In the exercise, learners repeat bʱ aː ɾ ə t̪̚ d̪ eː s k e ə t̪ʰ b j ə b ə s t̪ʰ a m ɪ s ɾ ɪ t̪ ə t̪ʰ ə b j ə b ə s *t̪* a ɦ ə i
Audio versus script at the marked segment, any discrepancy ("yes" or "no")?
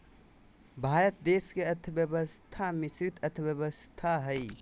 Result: yes